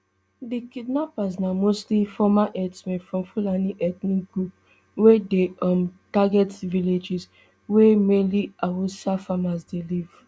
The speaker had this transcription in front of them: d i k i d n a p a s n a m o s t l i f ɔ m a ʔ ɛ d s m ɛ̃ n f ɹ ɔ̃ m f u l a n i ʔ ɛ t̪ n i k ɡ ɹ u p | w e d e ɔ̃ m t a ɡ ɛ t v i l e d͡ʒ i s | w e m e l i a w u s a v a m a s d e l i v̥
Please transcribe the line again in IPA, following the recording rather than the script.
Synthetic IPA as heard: d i k i d n a p a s n a m o s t l i f ɔ m a ʔ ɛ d s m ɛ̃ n f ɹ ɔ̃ m f u l a n i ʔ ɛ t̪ n i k ɡ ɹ u p | w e d e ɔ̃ m t a ɡ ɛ t v i l e d͡ʒ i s | w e m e l i a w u s a f a m a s d e l i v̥